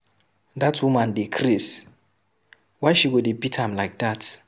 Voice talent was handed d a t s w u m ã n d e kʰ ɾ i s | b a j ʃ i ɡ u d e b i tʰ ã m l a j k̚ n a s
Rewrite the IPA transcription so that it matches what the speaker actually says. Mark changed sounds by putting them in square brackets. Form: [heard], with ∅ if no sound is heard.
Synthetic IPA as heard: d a t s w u m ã n d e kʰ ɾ i s | [w] a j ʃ i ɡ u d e b i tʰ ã m l a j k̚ [d] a [t]